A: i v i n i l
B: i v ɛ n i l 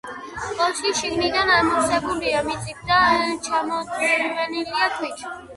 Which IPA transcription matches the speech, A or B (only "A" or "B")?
B